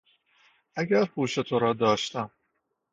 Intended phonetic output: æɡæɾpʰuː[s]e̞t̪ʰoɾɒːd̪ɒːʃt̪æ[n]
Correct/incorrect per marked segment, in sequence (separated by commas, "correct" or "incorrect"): incorrect, incorrect